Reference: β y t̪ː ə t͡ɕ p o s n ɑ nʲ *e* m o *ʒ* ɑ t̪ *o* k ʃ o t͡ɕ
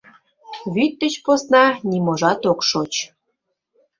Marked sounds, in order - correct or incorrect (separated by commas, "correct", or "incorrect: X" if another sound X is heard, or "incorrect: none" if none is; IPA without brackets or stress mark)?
incorrect: i, correct, correct